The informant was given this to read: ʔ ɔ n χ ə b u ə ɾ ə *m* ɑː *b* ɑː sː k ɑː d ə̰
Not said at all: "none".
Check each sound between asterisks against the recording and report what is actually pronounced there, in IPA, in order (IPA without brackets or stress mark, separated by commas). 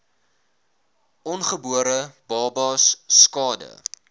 b, b